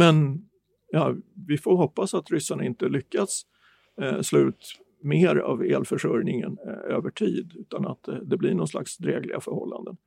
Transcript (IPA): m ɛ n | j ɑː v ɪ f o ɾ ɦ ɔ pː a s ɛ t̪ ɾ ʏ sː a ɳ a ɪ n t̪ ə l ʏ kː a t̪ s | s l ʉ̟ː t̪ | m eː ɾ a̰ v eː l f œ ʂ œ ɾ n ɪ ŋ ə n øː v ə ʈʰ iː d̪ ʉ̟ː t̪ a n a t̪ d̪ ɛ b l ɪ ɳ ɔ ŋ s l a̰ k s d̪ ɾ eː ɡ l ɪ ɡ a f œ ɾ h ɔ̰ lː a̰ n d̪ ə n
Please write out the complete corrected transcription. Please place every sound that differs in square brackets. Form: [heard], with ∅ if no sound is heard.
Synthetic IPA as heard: m ɛ n | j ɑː v ɪ f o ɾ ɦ ɔ pː a s [a] t̪ ɾ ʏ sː a ɳ a ɪ n t̪ ə l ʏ kː a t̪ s | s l ʉ̟ː t̪ | m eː ɾ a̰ v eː l f œ ʂ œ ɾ n ɪ ŋ ə n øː v ə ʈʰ iː d̪ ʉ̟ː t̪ a n a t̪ d̪ ɛ b l ɪ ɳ ɔ [n] s l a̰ k s d̪ ɾ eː ɡ l ɪ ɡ a f œ ɾ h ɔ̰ lː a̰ n d̪ ə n